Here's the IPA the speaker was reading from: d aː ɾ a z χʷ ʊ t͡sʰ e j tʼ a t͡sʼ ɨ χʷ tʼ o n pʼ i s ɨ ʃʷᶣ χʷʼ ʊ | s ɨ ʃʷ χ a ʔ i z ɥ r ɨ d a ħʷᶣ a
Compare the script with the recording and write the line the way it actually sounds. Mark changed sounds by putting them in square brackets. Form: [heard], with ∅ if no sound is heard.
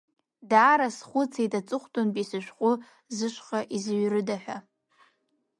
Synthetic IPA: d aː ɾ a [s] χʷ ʊ t͡sʰ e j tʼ a t͡sʼ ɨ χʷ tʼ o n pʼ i s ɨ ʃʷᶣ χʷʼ ʊ | [z] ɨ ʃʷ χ a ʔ i z ɥ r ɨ d a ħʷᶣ a